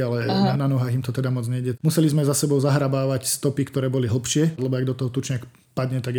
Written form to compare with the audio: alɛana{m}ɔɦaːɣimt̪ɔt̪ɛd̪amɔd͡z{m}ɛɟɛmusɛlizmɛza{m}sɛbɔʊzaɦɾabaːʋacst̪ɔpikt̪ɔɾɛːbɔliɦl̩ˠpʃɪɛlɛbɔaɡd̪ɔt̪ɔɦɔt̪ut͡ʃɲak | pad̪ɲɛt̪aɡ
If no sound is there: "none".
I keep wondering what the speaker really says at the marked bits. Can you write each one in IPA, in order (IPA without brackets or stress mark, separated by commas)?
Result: n, ɲ, none